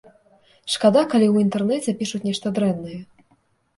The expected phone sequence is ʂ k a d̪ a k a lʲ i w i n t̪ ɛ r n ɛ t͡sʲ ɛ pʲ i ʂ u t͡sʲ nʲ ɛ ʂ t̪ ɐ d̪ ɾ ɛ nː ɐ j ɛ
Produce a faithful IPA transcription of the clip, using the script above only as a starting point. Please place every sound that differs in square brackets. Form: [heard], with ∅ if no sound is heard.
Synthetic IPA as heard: ʂ k a d̪ a k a lʲ i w i n t̪ ɛ r n ɛ t͡sʲ ɛ pʲ i ʂ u t͡sʲ nʲ ɛ ʂ t̪ ɐ d̪ ɾ ɛ nː ɐ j ɛ